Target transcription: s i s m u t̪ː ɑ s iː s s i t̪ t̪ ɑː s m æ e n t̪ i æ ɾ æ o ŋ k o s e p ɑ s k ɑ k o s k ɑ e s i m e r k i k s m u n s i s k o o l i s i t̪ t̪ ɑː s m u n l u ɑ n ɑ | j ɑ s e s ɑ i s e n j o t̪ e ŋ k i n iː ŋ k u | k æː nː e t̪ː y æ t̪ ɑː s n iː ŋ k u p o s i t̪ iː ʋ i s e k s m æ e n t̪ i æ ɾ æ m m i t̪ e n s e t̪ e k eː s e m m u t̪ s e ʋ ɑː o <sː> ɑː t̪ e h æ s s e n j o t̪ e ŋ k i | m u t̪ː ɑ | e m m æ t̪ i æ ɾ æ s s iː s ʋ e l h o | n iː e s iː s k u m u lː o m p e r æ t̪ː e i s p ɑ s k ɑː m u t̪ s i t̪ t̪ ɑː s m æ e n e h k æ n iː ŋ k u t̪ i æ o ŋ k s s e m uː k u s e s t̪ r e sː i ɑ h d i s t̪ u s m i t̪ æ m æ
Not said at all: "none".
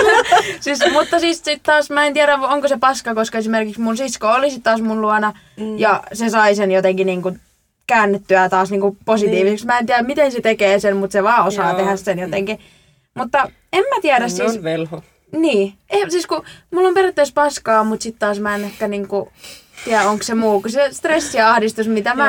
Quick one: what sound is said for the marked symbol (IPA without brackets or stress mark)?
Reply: s